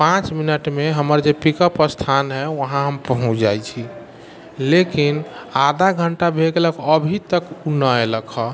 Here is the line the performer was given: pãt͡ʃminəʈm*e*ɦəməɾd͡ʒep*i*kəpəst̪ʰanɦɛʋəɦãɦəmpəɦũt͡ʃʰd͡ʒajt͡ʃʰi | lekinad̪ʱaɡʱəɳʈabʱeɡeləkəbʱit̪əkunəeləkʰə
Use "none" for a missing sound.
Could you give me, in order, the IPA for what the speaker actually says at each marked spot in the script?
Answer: e, i

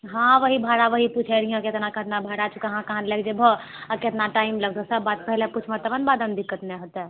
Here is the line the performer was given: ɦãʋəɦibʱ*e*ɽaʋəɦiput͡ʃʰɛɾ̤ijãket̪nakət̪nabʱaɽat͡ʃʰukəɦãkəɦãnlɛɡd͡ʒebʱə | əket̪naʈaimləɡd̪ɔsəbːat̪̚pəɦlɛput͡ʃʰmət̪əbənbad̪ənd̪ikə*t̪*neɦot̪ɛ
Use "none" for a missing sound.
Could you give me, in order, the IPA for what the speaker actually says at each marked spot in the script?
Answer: a, t̪

